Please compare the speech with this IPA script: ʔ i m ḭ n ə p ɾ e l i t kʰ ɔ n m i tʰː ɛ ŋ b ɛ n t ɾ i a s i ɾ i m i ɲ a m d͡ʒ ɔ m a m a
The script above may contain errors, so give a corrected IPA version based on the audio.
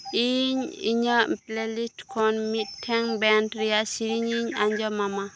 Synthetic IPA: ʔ i ɲ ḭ ɲ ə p l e l i t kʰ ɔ n m i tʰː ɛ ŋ b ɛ n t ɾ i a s i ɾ i ɲ i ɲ a ɲ d͡ʒ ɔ m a m a